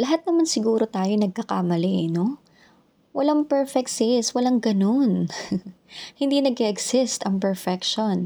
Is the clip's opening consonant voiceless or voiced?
voiced